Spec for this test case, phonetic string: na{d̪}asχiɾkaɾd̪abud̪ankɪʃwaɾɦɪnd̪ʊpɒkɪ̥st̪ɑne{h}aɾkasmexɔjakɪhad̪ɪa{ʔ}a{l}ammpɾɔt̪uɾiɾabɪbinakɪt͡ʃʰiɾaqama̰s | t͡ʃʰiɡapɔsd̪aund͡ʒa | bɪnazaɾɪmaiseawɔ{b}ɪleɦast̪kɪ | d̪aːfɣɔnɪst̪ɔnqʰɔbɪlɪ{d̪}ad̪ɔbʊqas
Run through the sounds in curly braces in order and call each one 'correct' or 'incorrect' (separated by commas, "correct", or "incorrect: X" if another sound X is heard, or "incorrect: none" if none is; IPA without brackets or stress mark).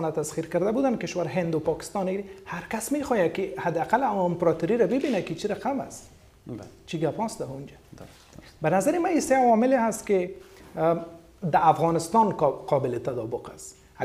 incorrect: t̪, correct, incorrect: q, correct, incorrect: m, incorrect: t̪